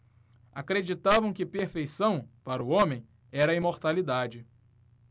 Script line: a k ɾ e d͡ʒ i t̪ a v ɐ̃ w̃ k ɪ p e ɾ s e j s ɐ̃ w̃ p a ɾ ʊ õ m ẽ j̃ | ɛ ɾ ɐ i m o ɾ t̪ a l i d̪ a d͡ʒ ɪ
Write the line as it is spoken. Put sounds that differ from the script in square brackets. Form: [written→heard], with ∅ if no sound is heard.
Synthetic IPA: a k ɾ e d͡ʒ i t̪ a v ɐ̃ w̃ k ɪ p e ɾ [s→f] e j s ɐ̃ w̃ p a ɾ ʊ õ m ẽ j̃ | ɛ ɾ ɐ i m o ɾ t̪ a l i d̪ a d͡ʒ ɪ